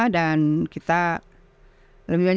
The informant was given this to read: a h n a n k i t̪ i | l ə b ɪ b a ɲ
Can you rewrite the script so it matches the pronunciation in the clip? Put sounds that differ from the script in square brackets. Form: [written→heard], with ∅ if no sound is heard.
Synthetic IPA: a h [n→d] a n k i t̪ [i→a] | l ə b [ɪ→i] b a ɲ